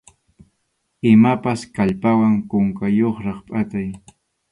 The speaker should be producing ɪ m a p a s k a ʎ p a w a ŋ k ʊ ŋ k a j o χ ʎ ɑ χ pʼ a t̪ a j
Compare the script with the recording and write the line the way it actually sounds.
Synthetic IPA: ɪ m a p a s k a ʎ p a w a ŋ k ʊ ŋ k a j o χ ɾ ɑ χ pʼ a t̪ a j